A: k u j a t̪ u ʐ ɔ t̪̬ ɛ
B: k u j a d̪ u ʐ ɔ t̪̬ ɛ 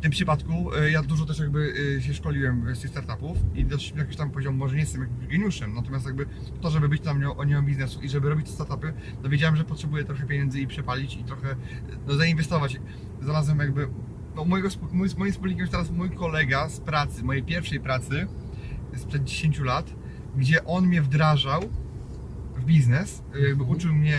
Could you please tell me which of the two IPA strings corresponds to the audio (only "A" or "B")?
B